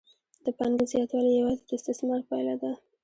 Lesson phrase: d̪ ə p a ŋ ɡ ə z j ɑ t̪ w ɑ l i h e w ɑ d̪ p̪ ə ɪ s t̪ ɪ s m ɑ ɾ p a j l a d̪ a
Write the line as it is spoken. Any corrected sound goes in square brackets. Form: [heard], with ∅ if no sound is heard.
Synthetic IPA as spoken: d̪ ə p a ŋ ɡ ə z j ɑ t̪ w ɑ l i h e w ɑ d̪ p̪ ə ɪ s t̪ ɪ s m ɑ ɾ p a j l a d̪ a